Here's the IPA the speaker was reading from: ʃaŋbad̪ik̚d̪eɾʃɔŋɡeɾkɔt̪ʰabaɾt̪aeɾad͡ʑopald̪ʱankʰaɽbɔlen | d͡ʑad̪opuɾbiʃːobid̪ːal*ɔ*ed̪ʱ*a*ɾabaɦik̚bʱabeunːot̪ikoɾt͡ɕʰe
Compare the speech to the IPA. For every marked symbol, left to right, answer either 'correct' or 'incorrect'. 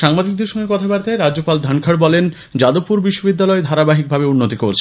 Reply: correct, correct

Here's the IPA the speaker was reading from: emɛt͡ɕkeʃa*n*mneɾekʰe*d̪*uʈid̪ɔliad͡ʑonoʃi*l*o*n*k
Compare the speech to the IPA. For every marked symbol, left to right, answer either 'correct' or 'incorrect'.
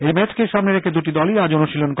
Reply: incorrect: none, correct, correct, correct

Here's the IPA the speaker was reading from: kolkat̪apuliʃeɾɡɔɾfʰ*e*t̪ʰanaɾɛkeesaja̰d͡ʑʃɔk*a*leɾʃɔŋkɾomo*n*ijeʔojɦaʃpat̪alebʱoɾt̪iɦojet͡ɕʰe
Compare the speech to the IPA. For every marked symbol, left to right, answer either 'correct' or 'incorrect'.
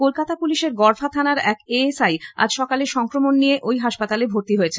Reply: incorrect: a, correct, incorrect: nː

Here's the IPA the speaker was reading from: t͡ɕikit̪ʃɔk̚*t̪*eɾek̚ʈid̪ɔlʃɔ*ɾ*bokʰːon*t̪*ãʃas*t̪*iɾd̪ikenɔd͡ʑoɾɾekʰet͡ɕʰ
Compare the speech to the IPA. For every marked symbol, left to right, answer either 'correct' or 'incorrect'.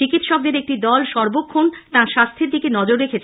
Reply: incorrect: d̪, correct, correct, incorrect: t̪ʰ

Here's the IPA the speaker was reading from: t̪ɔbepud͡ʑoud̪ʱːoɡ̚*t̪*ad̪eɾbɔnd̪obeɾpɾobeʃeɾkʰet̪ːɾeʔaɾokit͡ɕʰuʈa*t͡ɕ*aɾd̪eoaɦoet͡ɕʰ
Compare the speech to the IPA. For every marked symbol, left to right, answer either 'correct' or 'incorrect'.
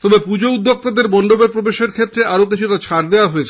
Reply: correct, incorrect: t͡ɕʰ

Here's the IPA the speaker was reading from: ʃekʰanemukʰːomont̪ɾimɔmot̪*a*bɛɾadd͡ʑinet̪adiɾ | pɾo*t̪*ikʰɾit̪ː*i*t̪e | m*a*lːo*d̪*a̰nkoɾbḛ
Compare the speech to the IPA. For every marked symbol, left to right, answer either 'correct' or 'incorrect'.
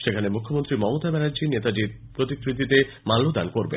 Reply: correct, correct, correct, correct, correct

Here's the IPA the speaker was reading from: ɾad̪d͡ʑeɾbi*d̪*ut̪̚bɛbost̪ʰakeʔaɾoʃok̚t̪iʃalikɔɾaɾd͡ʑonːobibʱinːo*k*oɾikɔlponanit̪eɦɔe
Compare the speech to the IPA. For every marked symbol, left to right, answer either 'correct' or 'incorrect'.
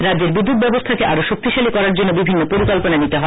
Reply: incorrect: d̪ː, incorrect: p

